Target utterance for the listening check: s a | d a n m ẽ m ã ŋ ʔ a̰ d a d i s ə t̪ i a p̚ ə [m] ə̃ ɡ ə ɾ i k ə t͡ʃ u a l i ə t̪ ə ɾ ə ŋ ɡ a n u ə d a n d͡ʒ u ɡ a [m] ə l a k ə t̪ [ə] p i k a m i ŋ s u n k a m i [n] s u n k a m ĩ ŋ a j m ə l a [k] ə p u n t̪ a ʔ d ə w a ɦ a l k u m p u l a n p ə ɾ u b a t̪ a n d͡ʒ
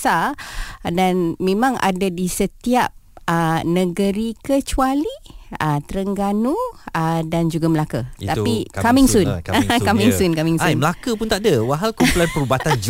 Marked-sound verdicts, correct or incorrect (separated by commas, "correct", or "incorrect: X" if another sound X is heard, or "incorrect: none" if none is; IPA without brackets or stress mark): incorrect: n, correct, incorrect: a, incorrect: ŋ, correct